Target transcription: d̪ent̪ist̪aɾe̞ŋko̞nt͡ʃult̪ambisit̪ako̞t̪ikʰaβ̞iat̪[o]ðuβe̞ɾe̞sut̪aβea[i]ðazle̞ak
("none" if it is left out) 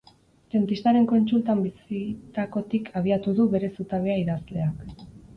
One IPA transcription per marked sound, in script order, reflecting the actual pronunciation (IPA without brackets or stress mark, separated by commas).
u, i